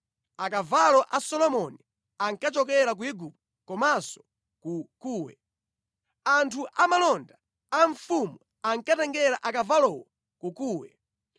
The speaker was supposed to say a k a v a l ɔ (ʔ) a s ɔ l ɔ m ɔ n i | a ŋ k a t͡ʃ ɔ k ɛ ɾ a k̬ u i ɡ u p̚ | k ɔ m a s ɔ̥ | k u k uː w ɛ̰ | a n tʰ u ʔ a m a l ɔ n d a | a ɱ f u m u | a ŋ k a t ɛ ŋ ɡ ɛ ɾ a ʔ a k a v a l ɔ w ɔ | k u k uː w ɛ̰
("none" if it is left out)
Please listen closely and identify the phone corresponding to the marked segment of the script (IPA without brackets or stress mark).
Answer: ʔ